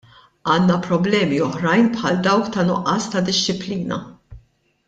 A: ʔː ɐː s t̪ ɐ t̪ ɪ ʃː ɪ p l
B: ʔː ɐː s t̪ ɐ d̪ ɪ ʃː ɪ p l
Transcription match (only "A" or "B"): B